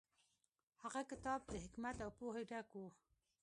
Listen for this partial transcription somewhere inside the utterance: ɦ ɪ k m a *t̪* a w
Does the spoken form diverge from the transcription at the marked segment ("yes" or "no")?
no